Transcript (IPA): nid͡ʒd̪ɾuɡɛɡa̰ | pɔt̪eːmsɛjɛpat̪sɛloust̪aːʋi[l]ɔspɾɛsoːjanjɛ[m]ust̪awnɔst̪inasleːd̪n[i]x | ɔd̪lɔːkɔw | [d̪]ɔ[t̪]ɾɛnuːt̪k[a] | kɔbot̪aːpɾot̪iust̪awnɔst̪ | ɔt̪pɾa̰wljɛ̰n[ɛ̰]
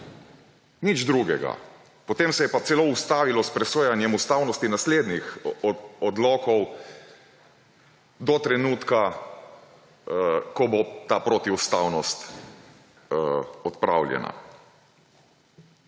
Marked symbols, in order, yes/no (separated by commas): yes, yes, yes, yes, yes, yes, no